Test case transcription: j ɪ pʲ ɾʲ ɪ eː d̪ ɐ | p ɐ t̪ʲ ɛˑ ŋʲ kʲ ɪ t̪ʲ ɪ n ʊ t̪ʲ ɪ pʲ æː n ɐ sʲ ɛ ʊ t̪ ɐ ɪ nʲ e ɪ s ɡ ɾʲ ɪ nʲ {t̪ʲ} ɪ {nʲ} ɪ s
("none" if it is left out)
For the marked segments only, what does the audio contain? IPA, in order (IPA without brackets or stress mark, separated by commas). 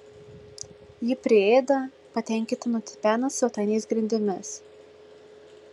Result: d̪ʲ, mʲ